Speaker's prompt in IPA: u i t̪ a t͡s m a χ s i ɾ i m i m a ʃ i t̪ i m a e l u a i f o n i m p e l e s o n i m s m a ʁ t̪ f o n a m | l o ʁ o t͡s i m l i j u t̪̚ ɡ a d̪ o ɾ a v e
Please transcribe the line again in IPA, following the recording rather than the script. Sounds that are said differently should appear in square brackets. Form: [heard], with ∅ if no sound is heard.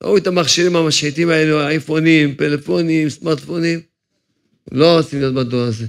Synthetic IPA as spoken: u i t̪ a [∅] m a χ [ʃ] i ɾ i m [a] m a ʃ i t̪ i m a e l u a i f o n i m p e l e [f] o n i m s m a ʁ t̪ f o n [i] m | l o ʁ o t͡s i m l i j [o] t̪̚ [b] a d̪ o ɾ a [z] e